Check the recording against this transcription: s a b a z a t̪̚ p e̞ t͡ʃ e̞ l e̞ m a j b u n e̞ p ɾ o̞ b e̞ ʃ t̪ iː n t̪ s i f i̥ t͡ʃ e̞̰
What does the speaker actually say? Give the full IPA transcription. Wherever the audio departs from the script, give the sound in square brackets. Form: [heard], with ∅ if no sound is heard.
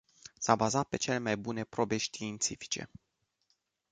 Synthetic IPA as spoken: s a b a z a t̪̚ p e̞ t͡ʃ e̞ l e̞ m a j b u n e̞ p ɾ o̞ b e̞ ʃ t̪ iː n t̪ s i f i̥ t͡ʃ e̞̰